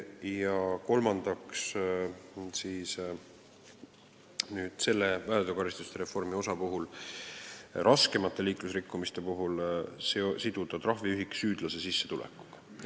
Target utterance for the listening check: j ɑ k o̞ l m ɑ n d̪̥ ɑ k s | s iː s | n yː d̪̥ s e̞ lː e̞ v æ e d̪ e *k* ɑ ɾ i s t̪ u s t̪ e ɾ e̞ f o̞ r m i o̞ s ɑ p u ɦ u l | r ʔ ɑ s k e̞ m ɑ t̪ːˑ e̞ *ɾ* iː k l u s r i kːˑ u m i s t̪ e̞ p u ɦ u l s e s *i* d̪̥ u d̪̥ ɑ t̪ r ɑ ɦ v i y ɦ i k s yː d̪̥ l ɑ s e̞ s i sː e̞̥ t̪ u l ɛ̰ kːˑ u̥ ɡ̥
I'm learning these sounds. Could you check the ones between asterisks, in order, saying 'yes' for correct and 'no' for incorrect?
yes, no, yes

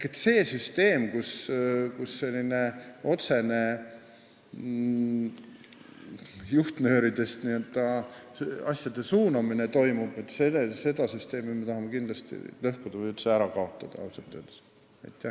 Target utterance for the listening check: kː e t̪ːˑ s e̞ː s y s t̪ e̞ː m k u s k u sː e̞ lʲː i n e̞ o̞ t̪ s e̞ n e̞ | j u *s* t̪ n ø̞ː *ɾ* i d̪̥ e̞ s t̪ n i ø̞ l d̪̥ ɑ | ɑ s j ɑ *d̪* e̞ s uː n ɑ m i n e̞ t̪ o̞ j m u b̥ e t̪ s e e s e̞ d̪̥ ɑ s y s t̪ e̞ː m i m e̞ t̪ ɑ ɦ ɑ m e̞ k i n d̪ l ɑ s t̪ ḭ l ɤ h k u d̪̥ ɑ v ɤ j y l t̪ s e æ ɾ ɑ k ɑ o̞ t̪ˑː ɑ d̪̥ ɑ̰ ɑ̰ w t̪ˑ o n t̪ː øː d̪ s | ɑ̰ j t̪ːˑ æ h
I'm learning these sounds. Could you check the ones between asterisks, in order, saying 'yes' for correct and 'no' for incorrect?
no, yes, yes

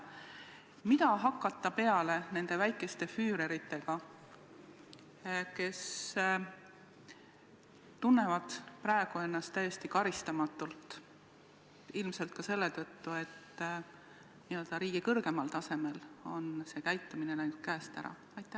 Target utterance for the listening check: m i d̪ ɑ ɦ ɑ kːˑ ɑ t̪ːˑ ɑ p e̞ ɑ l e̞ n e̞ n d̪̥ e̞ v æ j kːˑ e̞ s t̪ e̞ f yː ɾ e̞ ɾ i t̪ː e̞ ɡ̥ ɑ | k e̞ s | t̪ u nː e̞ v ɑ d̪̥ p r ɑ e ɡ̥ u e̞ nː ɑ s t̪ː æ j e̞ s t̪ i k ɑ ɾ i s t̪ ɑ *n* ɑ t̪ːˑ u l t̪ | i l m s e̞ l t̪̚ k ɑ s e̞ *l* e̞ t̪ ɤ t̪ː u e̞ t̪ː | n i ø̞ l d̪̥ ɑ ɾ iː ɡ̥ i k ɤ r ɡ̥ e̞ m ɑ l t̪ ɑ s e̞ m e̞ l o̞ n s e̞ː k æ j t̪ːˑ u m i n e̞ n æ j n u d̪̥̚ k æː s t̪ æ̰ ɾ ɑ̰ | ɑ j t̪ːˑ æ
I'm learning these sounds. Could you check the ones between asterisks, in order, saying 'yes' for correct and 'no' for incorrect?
no, no

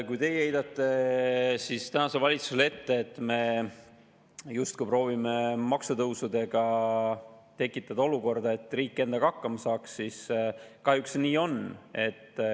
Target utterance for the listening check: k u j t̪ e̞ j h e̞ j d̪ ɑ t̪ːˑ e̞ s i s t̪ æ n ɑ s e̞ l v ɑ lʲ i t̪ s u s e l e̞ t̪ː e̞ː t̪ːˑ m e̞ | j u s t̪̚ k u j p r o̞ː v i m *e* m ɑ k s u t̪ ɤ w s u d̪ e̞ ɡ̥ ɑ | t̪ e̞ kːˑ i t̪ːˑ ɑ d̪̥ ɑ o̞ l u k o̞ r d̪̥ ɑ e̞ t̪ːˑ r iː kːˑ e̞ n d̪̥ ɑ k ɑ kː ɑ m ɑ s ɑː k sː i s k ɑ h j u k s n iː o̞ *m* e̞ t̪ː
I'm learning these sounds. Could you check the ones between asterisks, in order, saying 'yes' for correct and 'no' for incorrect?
yes, no

